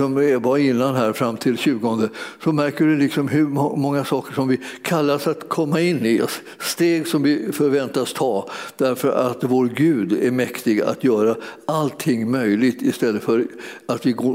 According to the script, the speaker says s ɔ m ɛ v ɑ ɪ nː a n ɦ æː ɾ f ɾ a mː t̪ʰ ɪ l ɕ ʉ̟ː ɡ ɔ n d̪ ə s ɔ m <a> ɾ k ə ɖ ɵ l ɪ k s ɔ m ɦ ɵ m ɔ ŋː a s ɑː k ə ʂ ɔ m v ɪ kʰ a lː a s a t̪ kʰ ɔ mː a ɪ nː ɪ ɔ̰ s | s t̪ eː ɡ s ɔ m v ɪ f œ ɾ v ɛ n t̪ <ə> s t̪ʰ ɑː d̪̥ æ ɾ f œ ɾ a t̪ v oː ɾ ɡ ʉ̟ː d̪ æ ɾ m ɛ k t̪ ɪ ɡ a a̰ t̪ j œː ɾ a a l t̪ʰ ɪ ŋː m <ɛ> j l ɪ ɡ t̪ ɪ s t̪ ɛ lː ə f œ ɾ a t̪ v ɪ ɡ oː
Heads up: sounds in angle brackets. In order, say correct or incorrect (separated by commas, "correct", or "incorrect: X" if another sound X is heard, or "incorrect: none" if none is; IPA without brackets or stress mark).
incorrect: æ, incorrect: a, incorrect: œ